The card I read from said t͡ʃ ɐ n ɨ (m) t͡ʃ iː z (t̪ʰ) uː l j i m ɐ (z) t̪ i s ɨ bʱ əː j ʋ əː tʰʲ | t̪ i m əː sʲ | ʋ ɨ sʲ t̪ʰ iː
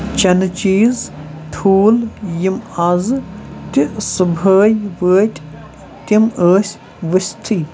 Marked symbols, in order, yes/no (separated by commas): no, yes, yes